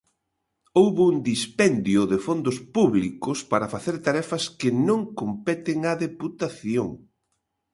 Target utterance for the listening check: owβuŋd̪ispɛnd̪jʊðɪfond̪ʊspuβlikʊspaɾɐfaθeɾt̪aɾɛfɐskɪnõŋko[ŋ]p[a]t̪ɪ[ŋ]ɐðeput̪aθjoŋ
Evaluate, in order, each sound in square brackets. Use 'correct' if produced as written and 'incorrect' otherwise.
incorrect, incorrect, correct

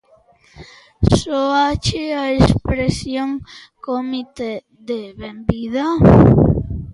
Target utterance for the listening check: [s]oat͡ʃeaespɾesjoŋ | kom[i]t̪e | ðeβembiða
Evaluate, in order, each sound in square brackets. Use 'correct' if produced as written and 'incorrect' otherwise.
correct, correct

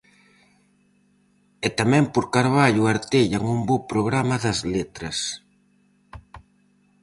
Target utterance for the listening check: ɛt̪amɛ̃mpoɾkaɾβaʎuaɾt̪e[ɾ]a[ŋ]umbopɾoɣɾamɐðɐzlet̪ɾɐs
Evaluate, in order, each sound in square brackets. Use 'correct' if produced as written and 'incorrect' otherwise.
incorrect, correct

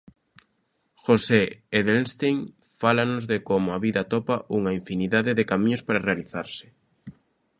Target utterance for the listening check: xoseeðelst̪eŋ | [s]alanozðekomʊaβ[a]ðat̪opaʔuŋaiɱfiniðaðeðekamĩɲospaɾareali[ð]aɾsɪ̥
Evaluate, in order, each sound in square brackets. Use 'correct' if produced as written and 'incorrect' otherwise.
incorrect, incorrect, incorrect

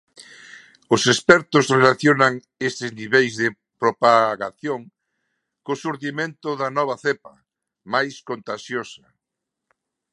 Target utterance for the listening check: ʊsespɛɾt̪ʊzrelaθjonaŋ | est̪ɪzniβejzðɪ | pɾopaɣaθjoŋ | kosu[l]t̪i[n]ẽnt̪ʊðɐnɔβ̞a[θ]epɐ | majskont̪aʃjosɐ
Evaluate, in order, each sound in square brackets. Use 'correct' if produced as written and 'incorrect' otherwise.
incorrect, incorrect, correct

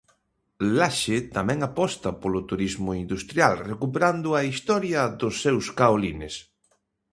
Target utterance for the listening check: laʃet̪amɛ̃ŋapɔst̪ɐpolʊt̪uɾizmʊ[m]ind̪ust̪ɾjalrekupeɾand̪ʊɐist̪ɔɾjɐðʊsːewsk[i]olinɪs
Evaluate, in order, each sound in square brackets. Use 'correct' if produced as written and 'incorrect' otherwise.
incorrect, incorrect

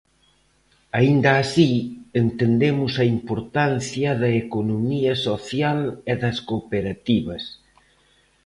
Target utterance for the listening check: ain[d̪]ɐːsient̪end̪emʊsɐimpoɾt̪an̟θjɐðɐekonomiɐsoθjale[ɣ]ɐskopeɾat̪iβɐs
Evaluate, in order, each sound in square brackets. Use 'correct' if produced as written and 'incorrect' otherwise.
correct, incorrect

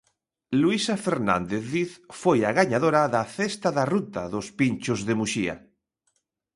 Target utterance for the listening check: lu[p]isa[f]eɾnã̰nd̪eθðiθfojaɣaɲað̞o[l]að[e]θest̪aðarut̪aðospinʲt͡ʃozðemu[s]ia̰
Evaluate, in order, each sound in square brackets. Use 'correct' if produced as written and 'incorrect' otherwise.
incorrect, correct, incorrect, incorrect, incorrect

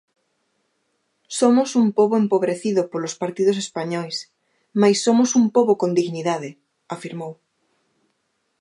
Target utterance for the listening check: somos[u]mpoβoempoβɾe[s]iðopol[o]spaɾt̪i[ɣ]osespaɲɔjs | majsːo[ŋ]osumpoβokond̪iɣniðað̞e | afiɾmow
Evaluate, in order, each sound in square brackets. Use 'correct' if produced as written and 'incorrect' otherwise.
correct, incorrect, correct, incorrect, incorrect

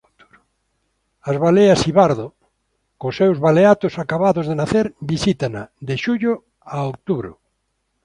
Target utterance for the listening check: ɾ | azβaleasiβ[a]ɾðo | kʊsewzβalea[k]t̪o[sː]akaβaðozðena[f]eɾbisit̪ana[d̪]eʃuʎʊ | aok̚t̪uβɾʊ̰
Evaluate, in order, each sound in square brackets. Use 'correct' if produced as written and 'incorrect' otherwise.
correct, incorrect, incorrect, incorrect, correct

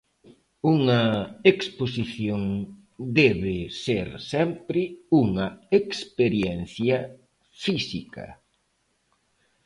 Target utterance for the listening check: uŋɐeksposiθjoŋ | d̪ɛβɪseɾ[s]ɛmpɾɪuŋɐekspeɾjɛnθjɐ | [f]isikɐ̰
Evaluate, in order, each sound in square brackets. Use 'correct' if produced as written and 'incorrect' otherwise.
correct, correct

